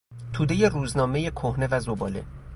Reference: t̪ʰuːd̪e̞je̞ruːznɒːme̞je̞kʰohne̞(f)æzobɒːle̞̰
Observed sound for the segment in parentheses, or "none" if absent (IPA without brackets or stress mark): v